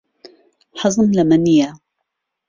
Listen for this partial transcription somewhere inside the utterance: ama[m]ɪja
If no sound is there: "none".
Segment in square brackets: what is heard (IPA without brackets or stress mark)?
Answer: n